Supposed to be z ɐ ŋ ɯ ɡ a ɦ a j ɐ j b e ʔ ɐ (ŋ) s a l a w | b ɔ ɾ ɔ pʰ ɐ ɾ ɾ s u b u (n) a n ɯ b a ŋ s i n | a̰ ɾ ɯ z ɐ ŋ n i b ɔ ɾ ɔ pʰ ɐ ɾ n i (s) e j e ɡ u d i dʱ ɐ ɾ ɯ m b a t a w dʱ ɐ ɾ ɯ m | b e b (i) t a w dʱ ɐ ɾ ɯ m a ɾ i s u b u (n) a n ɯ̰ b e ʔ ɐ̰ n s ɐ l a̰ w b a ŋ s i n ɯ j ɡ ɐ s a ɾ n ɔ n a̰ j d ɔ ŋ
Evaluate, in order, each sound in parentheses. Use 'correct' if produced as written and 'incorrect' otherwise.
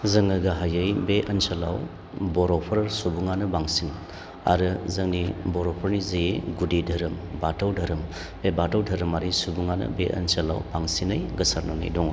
incorrect: n, incorrect: ŋ, incorrect: z, incorrect: a, incorrect: ŋ

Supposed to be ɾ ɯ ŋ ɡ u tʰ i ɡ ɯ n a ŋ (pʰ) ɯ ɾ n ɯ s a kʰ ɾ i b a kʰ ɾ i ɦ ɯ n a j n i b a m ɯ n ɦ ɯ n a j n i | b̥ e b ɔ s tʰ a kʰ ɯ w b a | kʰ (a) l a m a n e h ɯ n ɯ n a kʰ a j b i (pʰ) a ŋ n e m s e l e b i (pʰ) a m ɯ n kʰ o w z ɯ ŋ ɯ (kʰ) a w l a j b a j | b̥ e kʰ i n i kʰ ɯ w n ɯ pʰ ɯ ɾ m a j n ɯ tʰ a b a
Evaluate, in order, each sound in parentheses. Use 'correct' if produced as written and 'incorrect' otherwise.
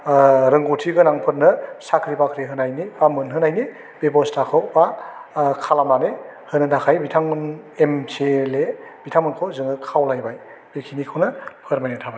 correct, correct, incorrect: tʰ, incorrect: tʰ, correct

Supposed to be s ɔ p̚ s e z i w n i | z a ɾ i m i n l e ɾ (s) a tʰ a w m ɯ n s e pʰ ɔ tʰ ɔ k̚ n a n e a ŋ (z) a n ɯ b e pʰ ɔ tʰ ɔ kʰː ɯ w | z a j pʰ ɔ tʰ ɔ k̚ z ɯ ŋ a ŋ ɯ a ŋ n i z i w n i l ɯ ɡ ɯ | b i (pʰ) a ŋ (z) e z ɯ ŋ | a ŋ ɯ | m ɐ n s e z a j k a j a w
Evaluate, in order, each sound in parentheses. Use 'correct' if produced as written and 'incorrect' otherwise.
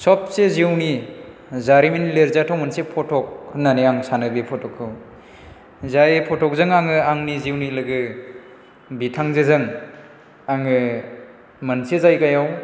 incorrect: z, incorrect: s, incorrect: tʰ, correct

